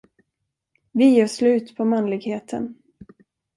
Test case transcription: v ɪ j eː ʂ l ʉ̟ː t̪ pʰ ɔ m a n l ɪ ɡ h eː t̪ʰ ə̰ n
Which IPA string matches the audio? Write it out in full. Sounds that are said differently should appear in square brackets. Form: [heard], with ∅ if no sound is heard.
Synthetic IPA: v ɪ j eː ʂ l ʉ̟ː t̪ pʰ ɔ m a n l ɪ ɡ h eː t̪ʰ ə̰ n